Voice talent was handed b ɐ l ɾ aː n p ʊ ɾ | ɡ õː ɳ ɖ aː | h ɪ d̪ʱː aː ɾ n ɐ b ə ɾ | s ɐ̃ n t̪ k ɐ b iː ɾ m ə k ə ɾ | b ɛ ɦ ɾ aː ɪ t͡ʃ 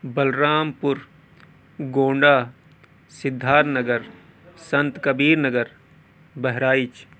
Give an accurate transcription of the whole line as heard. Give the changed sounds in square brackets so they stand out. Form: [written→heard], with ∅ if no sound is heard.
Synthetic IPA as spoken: b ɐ l ɾ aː [n→m] p ʊ ɾ | ɡ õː ɳ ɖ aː | [h→s] ɪ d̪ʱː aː ɾ n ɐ [b→ɡ] ə ɾ | s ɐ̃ n t̪ k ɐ b iː ɾ [m→n] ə [k→ɡ] ə ɾ | b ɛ ɦ ɾ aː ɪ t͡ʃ